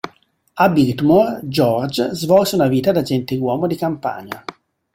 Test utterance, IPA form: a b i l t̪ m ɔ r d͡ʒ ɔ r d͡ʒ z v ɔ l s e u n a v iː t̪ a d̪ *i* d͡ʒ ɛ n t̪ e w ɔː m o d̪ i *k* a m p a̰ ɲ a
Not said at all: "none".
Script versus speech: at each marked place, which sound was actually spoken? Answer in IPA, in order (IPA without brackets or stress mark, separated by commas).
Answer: a, k